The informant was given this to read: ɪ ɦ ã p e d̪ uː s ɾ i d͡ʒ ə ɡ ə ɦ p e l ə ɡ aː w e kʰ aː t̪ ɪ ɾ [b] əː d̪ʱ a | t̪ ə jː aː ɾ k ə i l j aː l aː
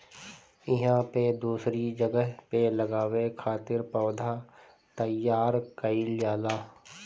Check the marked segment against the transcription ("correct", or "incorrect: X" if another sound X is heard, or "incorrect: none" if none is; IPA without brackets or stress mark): incorrect: p